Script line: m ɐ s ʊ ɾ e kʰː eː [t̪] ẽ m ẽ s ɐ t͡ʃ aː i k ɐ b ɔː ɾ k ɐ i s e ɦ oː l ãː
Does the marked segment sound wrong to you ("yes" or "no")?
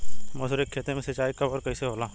no